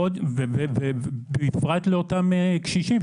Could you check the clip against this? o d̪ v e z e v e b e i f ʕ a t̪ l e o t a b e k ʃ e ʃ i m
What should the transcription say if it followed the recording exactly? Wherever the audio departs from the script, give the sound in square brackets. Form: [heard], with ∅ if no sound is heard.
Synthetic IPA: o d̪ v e [v] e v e b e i f [ʁ] a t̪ l e o t a [m] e k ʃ [i] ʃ i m